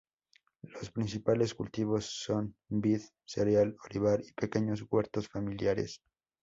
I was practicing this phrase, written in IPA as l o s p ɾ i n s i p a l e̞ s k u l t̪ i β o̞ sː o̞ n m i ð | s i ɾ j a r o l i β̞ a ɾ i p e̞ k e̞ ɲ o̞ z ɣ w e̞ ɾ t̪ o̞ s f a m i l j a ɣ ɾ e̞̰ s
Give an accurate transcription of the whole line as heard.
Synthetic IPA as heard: l o s p ɾ i n s i p a l e̞ s k u l t̪ i β o̞ sː o̞ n b i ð | s e ɾ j a l o l i β̞ a ɾ i p e̞ k e̞ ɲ o̞ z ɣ w e̞ ɾ t̪ o̞ s f a m i l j a ɾ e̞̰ s